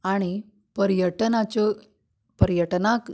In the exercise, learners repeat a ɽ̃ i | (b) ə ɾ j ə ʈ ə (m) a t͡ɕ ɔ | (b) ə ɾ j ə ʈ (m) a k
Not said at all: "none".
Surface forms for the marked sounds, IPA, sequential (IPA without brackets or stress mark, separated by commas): p, n, p, n